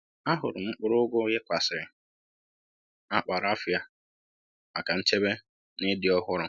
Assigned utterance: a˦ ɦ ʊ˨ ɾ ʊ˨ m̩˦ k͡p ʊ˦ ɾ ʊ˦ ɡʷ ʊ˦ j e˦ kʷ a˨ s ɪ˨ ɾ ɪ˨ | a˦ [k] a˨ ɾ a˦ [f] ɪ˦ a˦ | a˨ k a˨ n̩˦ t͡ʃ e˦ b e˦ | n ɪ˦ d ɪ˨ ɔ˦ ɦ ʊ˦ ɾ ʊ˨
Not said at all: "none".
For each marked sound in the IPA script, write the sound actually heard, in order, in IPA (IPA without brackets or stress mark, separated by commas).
k͡p, f